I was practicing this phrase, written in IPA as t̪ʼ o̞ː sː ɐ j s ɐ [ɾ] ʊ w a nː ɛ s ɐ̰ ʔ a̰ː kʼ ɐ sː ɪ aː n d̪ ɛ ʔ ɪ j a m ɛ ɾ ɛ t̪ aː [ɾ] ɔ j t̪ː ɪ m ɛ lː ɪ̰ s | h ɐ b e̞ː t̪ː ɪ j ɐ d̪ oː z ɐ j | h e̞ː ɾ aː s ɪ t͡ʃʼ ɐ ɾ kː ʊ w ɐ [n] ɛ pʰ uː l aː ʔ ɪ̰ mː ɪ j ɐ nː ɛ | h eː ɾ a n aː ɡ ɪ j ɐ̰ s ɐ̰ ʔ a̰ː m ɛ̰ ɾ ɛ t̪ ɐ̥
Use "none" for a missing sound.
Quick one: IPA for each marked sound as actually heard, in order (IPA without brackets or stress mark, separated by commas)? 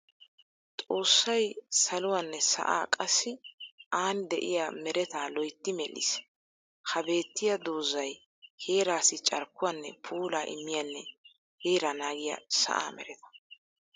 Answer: l, l, nː